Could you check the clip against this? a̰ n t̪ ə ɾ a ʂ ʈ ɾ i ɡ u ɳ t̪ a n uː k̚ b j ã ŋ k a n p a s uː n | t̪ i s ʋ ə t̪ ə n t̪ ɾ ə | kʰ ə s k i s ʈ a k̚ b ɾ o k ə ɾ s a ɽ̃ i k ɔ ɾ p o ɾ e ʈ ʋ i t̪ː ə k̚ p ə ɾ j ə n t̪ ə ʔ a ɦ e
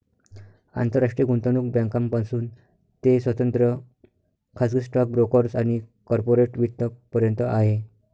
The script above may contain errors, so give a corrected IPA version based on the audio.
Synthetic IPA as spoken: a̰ n t̪ ə ɾ a ʂ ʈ ɾ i ɡ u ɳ t̪ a n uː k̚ b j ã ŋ k a m p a s uː n | t̪ e s ʋ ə t̪ ə n t̪ ɾ ə | kʰ a s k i s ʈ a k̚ b ɾ o k ə ɾ s a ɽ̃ i k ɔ ɾ p o ɾ e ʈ ʋ i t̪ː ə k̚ p ə ɾ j ə n t̪ ə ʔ a ɦ e